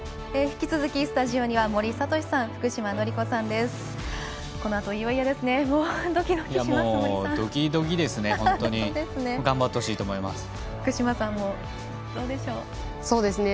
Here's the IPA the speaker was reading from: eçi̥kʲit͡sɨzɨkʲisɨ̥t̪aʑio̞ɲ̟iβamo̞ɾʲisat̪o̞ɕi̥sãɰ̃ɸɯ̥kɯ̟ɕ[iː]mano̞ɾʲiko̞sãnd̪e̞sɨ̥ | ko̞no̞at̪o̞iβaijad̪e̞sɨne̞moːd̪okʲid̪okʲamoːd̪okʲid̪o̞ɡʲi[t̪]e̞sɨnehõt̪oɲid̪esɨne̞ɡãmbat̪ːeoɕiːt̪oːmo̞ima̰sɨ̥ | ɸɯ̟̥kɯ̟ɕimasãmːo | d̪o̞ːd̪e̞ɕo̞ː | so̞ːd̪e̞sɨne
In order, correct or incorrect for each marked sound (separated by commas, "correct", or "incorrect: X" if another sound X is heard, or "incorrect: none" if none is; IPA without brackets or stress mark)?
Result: incorrect: i, incorrect: d̪